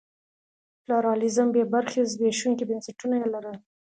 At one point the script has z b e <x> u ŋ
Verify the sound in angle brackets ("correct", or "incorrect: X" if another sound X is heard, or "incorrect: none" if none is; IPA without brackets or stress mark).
incorrect: ʃ